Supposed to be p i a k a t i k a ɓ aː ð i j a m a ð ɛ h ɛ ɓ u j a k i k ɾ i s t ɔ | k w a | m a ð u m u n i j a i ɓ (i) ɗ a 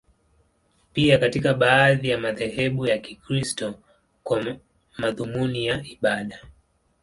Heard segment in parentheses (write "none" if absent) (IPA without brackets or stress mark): a